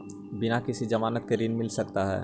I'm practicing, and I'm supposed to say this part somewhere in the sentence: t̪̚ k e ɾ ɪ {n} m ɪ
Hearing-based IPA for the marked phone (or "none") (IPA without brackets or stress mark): n